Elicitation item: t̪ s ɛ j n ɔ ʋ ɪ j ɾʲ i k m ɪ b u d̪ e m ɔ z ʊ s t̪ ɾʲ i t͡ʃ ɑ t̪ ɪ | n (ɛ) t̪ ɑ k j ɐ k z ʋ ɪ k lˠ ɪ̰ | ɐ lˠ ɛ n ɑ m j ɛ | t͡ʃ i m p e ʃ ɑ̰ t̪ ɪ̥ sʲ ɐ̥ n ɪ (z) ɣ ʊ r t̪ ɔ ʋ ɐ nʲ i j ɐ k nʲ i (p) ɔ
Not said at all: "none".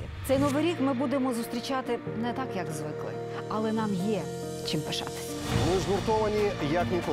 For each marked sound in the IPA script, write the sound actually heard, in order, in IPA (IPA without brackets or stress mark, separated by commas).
ɛ, z, k